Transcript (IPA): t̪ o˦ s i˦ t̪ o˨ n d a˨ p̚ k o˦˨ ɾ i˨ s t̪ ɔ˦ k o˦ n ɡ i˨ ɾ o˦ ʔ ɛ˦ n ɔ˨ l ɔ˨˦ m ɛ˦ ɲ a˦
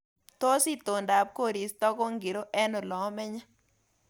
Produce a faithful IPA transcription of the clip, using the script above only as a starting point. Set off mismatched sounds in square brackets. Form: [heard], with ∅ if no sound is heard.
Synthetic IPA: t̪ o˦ s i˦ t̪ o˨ n d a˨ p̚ k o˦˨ ɾ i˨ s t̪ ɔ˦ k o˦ [ŋ] ɡ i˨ ɾ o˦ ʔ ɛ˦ n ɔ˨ l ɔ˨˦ m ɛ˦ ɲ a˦